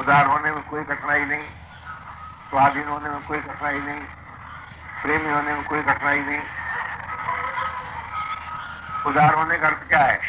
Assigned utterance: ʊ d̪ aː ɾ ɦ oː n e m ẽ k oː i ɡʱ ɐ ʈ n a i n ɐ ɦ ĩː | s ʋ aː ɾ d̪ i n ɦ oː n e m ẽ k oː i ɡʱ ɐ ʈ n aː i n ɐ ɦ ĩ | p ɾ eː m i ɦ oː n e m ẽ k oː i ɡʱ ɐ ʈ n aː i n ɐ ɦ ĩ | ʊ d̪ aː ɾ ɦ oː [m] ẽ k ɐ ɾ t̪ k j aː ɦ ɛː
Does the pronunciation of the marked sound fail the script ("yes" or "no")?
yes